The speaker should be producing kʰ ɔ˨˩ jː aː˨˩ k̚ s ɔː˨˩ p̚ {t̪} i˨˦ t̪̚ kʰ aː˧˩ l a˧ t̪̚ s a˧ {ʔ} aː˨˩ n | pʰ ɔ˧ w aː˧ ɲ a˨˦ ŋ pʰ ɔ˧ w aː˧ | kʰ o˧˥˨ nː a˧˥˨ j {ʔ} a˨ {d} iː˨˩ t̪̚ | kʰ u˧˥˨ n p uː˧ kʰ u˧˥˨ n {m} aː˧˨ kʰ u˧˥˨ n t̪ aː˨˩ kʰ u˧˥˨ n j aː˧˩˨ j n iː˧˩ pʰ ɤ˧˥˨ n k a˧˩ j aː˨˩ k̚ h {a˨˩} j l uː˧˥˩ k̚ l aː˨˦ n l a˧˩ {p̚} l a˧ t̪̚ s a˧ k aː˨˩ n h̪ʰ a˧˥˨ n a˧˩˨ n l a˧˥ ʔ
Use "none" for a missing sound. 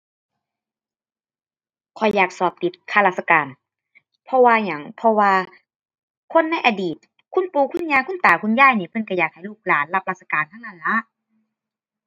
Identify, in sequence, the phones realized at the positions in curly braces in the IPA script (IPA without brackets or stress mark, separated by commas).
t̪, k, ʔ, d, ɲ, a˨˩, p̚